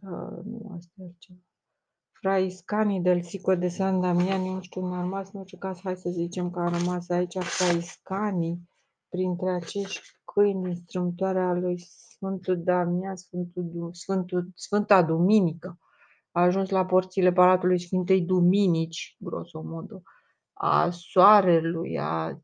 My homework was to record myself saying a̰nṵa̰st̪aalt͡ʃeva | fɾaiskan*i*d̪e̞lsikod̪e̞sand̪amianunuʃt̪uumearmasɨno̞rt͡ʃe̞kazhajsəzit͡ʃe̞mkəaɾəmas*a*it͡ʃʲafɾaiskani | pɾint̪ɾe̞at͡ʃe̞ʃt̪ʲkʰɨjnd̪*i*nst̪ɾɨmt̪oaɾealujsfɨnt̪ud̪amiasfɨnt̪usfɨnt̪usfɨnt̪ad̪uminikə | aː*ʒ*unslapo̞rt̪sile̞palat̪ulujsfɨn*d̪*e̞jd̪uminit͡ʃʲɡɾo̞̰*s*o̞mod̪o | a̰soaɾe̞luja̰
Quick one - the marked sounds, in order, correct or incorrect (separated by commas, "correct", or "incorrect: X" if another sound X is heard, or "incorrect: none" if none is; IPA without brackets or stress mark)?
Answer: correct, correct, correct, correct, incorrect: t̪, correct